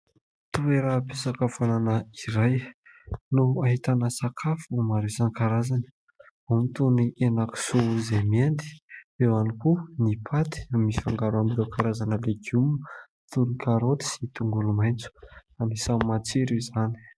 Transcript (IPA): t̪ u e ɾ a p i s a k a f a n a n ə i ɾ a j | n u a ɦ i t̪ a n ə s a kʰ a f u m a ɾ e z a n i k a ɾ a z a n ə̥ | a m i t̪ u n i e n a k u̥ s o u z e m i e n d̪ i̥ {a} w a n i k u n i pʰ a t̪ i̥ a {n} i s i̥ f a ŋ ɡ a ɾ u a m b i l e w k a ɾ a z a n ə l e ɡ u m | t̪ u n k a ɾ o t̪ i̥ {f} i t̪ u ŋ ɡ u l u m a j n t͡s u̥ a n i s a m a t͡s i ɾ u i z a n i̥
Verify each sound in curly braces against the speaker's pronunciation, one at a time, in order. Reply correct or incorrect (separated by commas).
incorrect, incorrect, incorrect